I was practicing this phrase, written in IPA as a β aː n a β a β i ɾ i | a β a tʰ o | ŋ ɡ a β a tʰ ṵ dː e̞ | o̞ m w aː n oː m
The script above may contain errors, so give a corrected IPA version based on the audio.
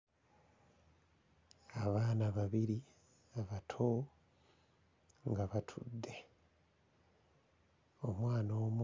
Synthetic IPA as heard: a β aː n a β a β i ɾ i | a β a tʰ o | ŋ ɡ a β a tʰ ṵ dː e̞ | o̞ m w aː n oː m